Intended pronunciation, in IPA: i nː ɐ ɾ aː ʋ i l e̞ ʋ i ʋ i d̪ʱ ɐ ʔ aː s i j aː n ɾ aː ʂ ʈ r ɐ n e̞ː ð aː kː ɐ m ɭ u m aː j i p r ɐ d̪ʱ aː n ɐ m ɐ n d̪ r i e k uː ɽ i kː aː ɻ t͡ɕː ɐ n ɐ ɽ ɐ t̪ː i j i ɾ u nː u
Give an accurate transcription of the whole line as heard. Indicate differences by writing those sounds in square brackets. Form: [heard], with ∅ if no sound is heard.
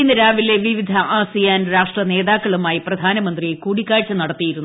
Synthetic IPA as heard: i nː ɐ ɾ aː ʋ i l e̞ ʋ i ʋ i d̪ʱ ɐ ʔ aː s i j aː n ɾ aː ʂ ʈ r ɐ n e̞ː ð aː kː ɐ [∅] ɭ u m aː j i p r ɐ d̪ʱ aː n ɐ m ɐ n d̪ r i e k uː ɽ i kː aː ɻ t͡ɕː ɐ n ɐ ɽ ɐ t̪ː i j i ɾ u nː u